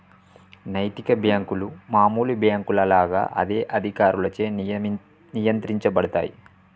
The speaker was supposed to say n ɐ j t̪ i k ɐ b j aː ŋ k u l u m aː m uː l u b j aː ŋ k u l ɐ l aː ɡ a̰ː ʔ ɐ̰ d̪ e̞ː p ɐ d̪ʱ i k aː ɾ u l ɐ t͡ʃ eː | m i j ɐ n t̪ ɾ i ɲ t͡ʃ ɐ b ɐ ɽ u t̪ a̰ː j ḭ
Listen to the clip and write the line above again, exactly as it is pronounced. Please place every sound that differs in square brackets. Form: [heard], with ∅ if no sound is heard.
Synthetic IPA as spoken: n ɐ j t̪ i k ɐ b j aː ŋ k u l u m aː m uː l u b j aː ŋ k u l ɐ l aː ɡ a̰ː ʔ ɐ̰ d̪ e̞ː [ʔ] ɐ d̪ʱ i k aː ɾ u l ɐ t͡ʃ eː | [n] i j ɐ n t̪ ɾ i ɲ t͡ʃ ɐ b ɐ ɽ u t̪ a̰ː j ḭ